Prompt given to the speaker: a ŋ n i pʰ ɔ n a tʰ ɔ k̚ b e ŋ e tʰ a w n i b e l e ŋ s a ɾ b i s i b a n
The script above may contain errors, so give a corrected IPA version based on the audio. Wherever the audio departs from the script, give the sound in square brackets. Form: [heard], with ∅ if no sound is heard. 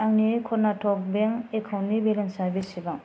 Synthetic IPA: a ŋ n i [kʰ] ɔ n a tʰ ɔ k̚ b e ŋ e [kʰ] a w n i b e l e [n] s a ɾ b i s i b a [ŋ]